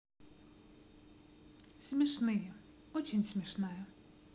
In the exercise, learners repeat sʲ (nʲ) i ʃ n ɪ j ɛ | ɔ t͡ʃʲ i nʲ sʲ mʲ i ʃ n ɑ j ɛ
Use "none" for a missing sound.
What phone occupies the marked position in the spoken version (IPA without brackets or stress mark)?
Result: mʲ